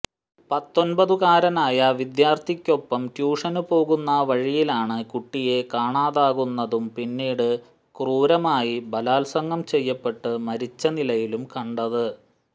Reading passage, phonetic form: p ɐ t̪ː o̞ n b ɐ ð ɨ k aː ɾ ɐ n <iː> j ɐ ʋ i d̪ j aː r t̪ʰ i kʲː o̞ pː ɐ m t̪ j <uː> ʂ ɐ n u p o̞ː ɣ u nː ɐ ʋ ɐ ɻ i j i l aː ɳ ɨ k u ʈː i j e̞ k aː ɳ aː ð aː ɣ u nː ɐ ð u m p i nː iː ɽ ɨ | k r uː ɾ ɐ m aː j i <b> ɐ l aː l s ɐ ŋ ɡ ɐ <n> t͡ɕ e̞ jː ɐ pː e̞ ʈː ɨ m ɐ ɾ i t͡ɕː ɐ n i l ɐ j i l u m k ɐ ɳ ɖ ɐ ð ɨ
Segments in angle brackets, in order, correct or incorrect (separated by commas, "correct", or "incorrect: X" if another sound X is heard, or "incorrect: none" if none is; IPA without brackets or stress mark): incorrect: aː, correct, correct, incorrect: m